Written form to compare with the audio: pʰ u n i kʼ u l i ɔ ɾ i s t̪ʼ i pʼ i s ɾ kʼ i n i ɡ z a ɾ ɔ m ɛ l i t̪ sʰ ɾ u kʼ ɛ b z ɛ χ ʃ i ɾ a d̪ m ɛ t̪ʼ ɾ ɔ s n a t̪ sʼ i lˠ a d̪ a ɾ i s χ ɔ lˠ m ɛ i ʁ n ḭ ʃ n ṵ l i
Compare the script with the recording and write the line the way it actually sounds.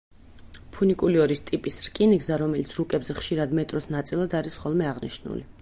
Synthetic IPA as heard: pʰ u n i kʼ u l i ɔ ɾ i s t̪ʼ i pʼ i s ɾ kʼ i n i ɡ z a ɾ ɔ m ɛ l i t̪ sʰ ɾ u kʼ ɛ b z ɛ χ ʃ i ɾ a d̪ m ɛ t̪ʼ ɾ ɔ s n a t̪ sʼ i lˠ a d̪ a ɾ i s χ ɔ lˠ m ɛ a ʁ n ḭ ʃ n ṵ l i